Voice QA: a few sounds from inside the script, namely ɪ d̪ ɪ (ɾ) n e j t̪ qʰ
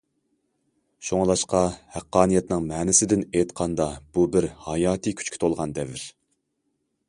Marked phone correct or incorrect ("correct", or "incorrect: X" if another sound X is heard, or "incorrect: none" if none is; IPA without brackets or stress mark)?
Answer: incorrect: none